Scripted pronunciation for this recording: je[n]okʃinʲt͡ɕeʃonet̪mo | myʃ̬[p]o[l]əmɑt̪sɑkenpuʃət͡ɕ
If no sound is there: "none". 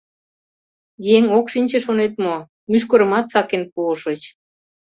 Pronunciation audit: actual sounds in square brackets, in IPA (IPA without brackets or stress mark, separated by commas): ŋ, k, ɾ